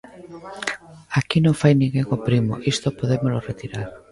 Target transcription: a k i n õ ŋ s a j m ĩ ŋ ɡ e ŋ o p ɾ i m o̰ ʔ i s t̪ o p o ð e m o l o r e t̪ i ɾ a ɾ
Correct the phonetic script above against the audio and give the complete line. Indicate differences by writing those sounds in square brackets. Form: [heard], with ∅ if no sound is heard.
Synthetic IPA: a k i n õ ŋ [f] a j [n] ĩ ŋ ɡ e ŋ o p ɾ i m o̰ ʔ i s t̪ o p o ð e m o l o r e t̪ i ɾ a ɾ